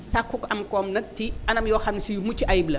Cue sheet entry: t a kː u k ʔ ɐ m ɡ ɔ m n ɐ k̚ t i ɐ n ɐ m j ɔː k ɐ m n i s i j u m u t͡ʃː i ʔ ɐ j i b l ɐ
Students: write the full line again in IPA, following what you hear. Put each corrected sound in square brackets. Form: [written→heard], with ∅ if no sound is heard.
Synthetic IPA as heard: [t→s] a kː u k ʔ ɐ m [ɡ→k] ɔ m n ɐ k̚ t i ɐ n ɐ m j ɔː [k→x] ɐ m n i s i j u m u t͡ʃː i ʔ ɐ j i b l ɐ